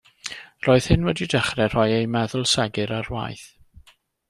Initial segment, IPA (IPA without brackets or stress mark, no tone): r